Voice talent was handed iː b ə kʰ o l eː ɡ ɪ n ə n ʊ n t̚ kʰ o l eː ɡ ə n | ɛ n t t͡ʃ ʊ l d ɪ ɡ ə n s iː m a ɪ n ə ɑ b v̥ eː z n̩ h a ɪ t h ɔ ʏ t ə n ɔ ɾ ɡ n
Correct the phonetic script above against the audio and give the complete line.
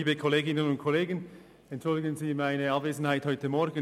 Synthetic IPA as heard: iː b ə kʰ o l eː ɡ ɪ n ə n ʊ n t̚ kʰ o l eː ɡ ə n | ɛ n t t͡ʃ ʊ l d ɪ ɡ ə n z iː m a ɪ n ə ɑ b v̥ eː z n̩ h a ɪ t h ɔ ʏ t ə m ɔ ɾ ɡ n